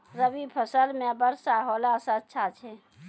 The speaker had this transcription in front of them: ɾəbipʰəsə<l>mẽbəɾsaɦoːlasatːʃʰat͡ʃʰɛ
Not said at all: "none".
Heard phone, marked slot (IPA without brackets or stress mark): l